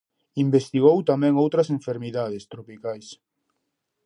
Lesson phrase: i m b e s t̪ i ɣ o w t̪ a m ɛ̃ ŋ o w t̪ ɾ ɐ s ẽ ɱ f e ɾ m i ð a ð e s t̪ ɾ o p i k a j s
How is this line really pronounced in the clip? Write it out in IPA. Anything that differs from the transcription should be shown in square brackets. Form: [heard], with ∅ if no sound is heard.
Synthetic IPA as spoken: i m b e s t̪ i ɣ o w t̪ a m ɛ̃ ŋ o w t̪ ɾ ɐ s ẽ ɱ f e ɾ m i ð a ð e s t̪ ɾ o p i k a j s